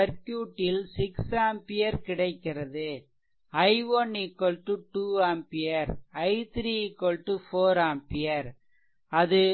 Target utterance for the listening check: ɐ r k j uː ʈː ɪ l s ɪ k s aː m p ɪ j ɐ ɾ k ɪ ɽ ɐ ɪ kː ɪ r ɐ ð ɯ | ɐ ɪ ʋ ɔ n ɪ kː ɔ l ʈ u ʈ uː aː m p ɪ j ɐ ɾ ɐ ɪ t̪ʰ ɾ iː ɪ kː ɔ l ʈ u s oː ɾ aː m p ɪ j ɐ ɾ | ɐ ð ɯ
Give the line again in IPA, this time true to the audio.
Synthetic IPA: ɐ ɾ k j uː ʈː ɪ l s ɪ k s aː m p ɪ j ɐ ɾ k ɪ ɽ ɐ ɪ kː ɪ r ɐ ð ɯ | ɐ ɪ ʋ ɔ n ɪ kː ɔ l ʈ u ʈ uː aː m p ɪ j ɐ ɾ ɐ ɪ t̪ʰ ɾ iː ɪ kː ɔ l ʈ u f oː ɾ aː m p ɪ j ɐ ɾ | ɐ ð ɯ